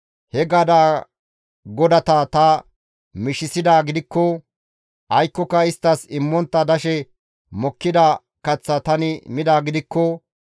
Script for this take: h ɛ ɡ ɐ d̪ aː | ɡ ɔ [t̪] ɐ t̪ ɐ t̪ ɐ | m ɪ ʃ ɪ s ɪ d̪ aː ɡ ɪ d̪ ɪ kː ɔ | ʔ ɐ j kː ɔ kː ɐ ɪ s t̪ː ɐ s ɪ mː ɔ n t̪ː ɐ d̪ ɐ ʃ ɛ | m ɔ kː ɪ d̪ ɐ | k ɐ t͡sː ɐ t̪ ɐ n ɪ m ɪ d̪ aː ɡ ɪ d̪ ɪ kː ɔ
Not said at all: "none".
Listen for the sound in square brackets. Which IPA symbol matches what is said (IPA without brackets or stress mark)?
d̪